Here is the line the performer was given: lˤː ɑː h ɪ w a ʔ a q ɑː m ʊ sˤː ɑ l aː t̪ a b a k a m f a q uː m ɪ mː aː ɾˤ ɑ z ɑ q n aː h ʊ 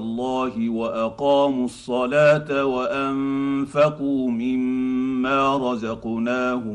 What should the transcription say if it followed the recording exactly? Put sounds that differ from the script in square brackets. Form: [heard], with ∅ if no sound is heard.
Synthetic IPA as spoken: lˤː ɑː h ɪ w a ʔ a q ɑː m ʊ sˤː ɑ l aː t̪ a [w] a [ʔ] a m f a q uː m ɪ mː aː ɾˤ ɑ z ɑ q n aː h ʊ